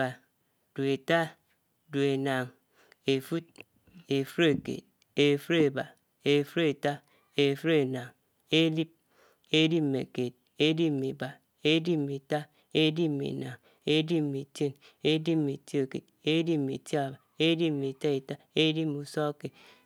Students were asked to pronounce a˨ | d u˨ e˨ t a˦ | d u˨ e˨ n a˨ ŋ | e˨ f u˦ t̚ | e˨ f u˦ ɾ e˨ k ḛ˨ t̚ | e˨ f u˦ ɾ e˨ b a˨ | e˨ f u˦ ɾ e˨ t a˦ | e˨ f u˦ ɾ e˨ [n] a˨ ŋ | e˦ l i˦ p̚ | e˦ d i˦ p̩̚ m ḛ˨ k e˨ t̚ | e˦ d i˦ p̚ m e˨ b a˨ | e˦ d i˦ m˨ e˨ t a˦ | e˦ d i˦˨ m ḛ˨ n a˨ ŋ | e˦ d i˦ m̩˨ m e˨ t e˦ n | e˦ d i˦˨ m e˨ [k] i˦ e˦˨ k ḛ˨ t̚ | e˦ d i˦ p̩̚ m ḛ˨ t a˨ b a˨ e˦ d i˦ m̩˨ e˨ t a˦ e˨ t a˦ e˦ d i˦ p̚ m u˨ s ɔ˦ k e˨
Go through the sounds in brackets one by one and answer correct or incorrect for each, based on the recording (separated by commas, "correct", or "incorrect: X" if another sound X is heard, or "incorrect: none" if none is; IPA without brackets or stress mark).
correct, incorrect: t